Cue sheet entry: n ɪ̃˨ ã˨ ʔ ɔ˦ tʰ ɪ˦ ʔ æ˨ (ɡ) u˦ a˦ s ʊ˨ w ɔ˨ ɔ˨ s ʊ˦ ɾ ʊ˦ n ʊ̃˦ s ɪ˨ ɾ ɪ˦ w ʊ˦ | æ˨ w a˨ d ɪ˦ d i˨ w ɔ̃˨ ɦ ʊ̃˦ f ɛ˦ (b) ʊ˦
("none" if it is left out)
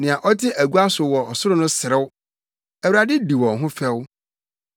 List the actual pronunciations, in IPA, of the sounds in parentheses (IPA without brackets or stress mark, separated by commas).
ɡ, w